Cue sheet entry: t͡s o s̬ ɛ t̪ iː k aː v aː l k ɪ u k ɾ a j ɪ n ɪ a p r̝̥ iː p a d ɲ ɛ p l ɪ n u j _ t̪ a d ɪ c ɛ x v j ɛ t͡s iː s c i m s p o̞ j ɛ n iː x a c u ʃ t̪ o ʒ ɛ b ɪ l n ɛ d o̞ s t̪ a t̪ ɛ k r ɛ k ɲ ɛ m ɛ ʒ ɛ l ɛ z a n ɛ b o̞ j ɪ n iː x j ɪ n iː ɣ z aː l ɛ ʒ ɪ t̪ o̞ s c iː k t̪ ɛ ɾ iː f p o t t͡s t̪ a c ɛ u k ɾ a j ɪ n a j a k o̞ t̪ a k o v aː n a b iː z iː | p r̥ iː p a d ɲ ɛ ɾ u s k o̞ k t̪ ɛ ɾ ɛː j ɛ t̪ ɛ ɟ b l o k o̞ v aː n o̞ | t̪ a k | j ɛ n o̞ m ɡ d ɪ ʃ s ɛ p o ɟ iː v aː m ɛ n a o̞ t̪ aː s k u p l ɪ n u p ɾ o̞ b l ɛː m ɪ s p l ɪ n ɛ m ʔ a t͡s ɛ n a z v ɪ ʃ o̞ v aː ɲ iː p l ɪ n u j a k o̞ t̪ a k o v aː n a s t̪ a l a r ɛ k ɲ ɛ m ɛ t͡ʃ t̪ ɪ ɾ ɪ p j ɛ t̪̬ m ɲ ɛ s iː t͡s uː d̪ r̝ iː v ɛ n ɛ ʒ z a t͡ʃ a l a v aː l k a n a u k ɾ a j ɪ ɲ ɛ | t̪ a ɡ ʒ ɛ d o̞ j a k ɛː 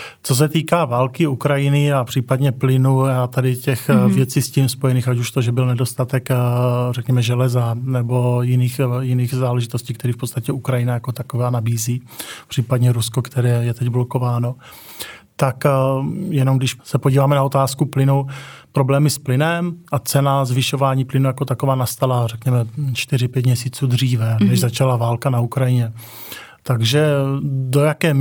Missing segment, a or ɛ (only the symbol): a